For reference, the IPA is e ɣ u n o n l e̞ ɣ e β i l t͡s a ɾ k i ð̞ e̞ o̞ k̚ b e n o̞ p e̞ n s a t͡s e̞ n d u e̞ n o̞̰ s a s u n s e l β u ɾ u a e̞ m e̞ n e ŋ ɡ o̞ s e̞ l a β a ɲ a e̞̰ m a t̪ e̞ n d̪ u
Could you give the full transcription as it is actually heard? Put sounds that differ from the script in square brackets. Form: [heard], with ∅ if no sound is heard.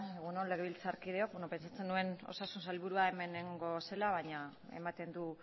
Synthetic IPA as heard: e ɣ u n o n l e̞ ɣ e β i l t͡s a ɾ k i ð̞ e̞ o̞ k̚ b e n o̞ p e̞ n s a t͡s e̞ n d u e̞ n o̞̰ s a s u n s [a] l β u ɾ u a e̞ m e̞ n e ŋ ɡ o̞ s e̞ l a β a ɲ a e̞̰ m a t̪ e̞ n d̪ u